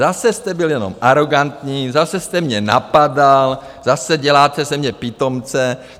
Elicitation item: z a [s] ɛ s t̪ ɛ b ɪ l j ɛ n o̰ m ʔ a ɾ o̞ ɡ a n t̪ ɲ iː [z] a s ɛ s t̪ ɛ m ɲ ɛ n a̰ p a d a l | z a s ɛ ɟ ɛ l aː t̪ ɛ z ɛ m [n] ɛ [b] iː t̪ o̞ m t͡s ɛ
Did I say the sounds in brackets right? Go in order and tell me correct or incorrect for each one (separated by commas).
correct, correct, incorrect, incorrect